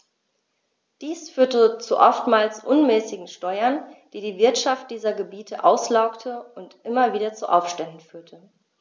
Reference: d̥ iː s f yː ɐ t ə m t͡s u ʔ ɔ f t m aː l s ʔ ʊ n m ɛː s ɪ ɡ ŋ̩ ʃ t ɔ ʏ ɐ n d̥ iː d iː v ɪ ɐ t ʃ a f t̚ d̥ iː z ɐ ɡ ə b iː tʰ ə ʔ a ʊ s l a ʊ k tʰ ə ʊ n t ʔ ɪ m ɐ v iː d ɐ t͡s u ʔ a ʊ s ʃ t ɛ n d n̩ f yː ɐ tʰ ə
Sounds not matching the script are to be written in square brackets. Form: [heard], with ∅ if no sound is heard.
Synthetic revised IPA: d̥ iː s f yː ɐ t ə [∅] t͡s u ʔ ɔ f t m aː l s ʔ ʊ n m ɛː s ɪ ɡ ŋ̩ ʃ t ɔ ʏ ɐ n d̥ iː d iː v ɪ ɐ t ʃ a f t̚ d̥ iː z ɐ ɡ ə b iː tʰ ə ʔ a ʊ s l a ʊ k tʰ ə ʊ n t ʔ ɪ m ɐ v iː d ɐ t͡s u ʔ a ʊ [f] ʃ t ɛ n d n̩ f yː ɐ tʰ ə